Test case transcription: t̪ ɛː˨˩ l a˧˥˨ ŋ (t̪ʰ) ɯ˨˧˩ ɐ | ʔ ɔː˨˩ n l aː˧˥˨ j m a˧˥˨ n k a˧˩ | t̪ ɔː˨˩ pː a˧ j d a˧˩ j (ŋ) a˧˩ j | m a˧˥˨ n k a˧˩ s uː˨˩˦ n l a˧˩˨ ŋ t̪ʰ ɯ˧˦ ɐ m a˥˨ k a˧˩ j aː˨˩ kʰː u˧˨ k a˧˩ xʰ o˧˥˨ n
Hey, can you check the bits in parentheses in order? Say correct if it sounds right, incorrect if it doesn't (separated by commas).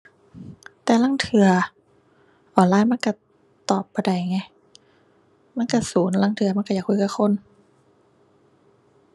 correct, correct